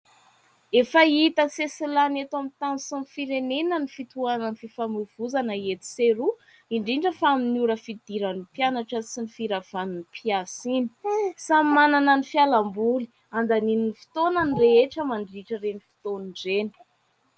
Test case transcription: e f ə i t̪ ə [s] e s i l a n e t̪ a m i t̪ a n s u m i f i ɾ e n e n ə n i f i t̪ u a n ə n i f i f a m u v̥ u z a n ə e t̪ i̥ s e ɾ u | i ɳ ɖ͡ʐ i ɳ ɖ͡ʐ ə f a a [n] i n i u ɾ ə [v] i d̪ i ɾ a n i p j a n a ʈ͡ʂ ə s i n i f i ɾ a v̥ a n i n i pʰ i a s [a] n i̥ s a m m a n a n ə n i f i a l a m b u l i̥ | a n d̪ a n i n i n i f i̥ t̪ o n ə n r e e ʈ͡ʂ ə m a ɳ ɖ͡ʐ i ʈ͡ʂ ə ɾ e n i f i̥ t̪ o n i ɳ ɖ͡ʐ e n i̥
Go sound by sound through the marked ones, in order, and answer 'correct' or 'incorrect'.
correct, incorrect: m, incorrect: f, incorrect: i

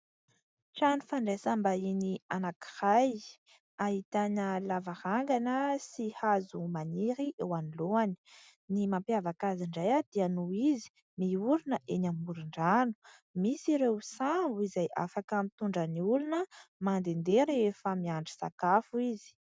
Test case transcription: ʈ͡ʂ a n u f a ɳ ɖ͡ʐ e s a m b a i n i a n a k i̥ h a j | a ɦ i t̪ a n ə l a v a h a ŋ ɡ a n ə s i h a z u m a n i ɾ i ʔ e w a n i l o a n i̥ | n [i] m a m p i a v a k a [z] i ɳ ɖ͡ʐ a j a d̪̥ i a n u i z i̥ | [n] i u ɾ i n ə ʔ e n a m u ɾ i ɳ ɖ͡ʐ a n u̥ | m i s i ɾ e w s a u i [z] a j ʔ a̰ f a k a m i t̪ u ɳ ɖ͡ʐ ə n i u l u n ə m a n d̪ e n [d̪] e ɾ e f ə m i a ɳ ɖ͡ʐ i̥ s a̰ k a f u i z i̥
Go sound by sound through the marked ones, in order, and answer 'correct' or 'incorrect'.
correct, correct, incorrect: m, correct, correct

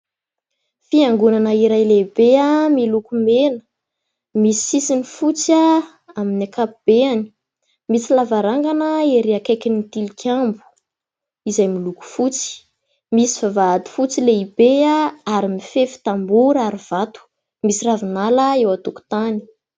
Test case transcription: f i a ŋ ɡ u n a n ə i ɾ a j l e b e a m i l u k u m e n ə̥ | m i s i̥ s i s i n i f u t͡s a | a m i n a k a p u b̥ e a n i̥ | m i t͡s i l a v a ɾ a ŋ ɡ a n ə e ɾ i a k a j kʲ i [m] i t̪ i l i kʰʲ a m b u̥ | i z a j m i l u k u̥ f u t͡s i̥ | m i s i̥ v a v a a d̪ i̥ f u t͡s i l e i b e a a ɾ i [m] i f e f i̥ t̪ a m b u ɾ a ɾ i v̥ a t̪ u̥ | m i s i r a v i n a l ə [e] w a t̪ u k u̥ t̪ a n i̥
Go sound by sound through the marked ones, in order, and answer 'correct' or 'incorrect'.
incorrect: n, correct, correct

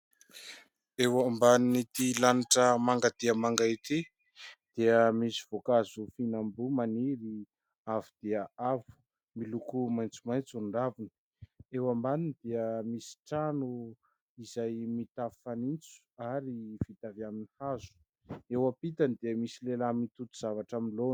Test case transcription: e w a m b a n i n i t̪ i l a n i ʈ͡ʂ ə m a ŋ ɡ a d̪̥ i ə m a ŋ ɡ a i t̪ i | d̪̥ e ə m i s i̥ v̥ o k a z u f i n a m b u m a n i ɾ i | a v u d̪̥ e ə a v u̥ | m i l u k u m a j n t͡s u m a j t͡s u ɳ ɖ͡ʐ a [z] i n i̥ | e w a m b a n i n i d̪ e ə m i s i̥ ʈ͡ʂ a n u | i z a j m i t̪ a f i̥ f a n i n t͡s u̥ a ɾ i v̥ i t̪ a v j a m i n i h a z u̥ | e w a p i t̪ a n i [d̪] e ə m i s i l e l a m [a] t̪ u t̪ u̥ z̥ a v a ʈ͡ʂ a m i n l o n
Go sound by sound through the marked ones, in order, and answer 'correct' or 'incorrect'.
incorrect: v, correct, incorrect: i

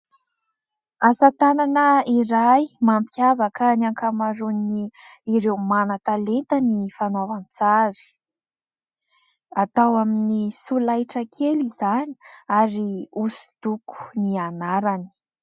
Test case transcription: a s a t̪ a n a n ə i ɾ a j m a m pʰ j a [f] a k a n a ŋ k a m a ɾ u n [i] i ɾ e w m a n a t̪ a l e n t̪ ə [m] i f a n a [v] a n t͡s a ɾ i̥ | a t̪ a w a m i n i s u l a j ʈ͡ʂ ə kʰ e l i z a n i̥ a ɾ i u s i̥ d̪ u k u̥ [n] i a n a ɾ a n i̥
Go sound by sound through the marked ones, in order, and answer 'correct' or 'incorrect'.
incorrect: v, correct, incorrect: n, correct, correct

